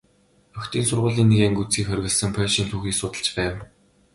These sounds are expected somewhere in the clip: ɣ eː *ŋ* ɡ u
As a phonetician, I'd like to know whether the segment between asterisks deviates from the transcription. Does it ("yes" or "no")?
no